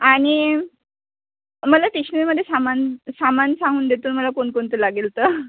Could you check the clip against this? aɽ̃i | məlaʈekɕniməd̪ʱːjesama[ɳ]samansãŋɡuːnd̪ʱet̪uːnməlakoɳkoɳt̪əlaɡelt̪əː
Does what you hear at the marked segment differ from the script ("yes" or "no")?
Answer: yes